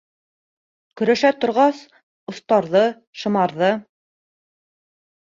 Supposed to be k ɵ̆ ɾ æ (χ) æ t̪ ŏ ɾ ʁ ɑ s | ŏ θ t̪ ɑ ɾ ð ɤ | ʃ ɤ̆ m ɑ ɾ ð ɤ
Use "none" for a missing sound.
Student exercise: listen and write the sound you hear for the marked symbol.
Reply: ʃ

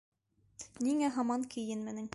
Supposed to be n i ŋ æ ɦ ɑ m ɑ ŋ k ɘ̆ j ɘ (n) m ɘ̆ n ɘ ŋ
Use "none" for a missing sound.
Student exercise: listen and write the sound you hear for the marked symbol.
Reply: n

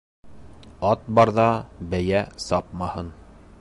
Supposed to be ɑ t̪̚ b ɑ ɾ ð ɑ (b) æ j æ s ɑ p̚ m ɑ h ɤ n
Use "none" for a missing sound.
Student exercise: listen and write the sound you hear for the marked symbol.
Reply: b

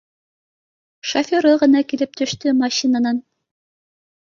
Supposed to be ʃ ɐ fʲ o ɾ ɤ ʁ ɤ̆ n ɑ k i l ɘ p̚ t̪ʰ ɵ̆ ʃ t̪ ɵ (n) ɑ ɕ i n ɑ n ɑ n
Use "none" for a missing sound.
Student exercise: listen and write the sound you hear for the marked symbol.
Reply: m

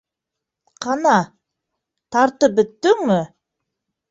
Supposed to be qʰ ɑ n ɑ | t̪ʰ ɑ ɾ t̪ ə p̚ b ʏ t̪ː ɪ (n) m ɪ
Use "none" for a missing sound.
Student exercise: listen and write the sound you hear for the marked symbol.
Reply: ŋ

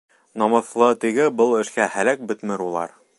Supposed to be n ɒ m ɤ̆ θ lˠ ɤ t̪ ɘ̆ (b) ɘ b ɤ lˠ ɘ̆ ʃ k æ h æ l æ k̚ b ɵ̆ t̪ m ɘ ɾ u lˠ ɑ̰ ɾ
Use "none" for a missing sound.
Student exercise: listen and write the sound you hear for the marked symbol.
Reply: ɡ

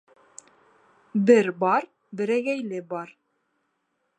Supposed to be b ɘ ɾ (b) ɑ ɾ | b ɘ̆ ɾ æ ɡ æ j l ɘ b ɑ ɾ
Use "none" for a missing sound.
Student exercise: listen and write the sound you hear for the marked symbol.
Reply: b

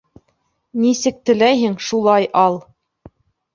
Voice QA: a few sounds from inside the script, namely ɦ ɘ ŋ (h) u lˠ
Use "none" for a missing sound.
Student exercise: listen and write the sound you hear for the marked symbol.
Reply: ʃ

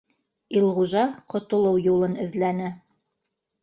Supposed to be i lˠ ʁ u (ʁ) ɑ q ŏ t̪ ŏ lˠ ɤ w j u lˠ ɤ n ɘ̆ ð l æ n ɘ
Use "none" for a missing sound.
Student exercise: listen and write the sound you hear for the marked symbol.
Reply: ʒ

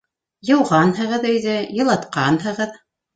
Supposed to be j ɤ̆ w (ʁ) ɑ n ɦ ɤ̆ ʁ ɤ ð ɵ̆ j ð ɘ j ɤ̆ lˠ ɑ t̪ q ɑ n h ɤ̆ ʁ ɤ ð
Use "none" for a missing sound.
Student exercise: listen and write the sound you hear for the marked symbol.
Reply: ʁ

